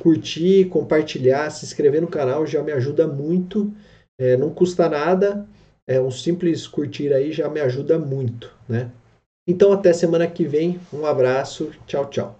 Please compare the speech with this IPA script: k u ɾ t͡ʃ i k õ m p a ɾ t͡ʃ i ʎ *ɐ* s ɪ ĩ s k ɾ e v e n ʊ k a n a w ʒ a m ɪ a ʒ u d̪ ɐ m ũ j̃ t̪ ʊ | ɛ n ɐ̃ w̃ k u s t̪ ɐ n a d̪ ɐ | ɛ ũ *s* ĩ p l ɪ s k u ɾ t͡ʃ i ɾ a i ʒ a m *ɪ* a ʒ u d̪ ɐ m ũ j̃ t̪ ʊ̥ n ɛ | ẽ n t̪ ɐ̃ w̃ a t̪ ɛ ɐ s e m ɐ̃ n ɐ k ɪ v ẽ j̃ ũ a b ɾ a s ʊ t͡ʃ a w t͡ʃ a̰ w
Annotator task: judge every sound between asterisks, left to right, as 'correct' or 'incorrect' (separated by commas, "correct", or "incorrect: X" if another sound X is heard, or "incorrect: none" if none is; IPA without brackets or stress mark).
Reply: incorrect: a, correct, correct